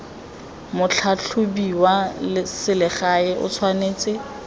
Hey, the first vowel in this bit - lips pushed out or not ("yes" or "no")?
yes